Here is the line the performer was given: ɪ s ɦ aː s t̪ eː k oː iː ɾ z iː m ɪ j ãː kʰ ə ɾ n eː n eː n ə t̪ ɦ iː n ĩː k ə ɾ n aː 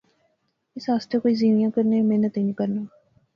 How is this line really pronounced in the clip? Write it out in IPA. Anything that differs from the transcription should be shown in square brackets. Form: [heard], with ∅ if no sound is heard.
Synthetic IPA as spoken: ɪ s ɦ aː s t̪ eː k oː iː [∅] z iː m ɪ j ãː [k] ə ɾ n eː [m] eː n ə t̪ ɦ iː n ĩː k ə ɾ n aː